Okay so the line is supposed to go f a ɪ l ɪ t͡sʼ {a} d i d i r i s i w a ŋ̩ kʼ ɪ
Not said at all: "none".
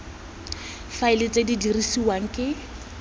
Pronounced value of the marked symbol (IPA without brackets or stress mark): e